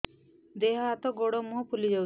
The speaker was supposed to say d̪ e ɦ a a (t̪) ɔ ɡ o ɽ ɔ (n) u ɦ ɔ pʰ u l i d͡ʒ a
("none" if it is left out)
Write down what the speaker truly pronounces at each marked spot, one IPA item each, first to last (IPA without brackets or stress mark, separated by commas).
t̪, m